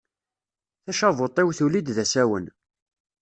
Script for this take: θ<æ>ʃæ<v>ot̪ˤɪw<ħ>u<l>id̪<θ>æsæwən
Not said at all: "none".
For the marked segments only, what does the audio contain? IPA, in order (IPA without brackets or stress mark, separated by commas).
æ, v, θ, l, ð